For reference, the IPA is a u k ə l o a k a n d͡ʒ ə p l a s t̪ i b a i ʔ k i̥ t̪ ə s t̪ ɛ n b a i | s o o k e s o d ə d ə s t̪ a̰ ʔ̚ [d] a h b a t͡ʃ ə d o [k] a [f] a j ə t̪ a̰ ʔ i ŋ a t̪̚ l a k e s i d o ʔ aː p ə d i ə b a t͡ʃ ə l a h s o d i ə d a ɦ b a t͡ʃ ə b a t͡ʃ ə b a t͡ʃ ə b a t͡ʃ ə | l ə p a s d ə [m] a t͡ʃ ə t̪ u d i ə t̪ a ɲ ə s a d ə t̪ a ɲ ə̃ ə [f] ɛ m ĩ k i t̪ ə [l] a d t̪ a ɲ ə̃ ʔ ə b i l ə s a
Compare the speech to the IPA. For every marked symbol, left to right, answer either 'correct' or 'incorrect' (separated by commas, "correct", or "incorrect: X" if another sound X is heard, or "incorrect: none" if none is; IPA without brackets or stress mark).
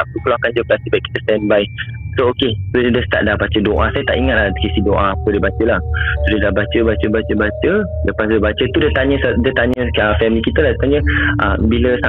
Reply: correct, incorrect: ʔ, incorrect: s, incorrect: b, correct, correct